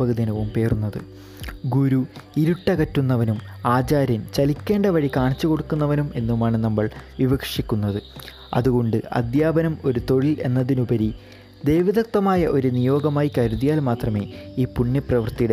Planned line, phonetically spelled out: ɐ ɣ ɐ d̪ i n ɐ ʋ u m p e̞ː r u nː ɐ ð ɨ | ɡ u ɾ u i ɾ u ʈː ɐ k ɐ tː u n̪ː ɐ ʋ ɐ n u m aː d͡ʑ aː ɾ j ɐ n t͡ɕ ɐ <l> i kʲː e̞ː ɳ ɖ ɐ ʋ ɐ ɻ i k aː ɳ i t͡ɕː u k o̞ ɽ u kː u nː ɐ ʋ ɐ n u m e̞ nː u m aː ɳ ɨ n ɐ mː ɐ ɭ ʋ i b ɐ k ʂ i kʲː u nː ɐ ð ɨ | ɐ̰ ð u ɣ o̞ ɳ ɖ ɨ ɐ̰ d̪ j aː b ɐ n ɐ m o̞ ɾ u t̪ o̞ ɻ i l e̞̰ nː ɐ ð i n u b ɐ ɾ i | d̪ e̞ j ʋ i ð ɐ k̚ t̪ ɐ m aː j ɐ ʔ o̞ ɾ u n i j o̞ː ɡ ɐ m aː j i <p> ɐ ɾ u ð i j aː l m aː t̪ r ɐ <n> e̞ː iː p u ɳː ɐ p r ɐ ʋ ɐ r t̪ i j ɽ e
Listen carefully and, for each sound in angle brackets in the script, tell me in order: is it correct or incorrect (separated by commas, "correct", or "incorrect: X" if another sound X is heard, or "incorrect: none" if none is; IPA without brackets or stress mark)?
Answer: correct, incorrect: k, incorrect: m